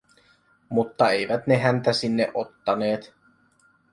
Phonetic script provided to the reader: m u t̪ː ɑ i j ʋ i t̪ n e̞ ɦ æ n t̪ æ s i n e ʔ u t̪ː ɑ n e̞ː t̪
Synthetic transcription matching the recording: m u t̪ː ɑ e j ʋ æ t̪ n e̞ ɦ æ n t̪ æ s i nː e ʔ o t̪ː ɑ n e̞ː t̪